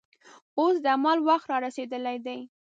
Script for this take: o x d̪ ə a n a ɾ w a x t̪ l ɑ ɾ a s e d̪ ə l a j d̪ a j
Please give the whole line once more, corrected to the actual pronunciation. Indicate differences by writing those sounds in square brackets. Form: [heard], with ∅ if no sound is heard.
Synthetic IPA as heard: o [s] d̪ ə a [m] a [l] w a x t̪ [ɾ] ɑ ɾ a s e d̪ ə l a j d̪ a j

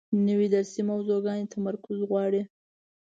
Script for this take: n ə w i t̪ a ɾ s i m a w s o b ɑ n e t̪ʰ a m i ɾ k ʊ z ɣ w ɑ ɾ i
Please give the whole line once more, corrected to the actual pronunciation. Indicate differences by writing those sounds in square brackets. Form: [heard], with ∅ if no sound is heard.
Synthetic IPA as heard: n ə w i [d̪] a ɾ s i m a w [z] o [ɡ] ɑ n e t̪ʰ a m [a] ɾ k ʊ z ɣ w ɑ [ɽ] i

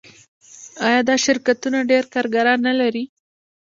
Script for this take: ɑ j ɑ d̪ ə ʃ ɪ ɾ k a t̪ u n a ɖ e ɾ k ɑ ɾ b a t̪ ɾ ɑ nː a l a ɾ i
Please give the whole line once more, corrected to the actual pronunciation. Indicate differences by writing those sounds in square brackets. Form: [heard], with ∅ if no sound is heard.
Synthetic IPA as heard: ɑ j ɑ d̪ [ɑ] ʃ ɪ ɾ k a t̪ u n a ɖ e ɾ k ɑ ɾ [ɡ] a [∅] ɾ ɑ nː a l a ɾ i

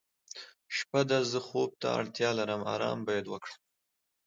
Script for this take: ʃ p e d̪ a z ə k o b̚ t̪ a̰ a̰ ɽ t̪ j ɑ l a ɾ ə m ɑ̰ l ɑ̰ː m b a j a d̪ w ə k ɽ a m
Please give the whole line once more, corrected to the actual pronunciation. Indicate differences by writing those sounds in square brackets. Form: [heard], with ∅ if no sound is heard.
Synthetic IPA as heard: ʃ p [a] d̪ a z ə [x] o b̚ t̪ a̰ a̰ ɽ t̪ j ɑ l a ɾ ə m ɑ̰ [ɾ] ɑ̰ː m b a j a d̪ w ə k ɽ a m

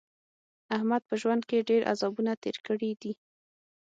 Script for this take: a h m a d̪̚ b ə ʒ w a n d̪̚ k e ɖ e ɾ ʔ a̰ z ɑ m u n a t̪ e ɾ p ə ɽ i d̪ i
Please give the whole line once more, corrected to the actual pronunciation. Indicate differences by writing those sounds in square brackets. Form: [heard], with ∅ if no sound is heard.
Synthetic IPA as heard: a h m a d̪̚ [p] ə ʒ w a n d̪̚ k e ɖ e ɾ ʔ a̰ z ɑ [b] u n a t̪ e ɾ [k] ə ɽ i d̪ i

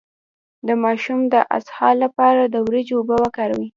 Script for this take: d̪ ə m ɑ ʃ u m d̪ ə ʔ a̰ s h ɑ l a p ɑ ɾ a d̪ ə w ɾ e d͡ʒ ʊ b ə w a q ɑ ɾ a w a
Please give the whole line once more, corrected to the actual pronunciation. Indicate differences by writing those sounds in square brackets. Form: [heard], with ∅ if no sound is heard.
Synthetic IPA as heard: d̪ ə m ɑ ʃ u m d̪ ə ʔ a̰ s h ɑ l a p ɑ ɾ a d̪ ə w ɾ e d͡ʒ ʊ b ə w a [k] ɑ ɾ a w [i]

